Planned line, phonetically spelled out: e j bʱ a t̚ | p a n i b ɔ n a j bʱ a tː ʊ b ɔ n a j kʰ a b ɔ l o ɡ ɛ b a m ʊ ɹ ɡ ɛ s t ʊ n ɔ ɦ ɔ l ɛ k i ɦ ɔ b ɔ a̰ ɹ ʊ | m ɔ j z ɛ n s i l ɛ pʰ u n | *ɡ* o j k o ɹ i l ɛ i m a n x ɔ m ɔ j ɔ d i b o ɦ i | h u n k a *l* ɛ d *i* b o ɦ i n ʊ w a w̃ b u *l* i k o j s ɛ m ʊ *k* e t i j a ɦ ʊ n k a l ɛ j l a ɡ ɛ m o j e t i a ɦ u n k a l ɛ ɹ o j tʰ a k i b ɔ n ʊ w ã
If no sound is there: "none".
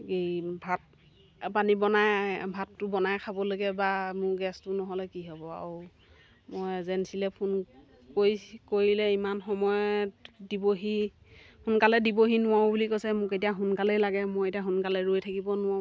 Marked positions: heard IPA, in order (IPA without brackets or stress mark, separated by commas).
k, l, i, l, k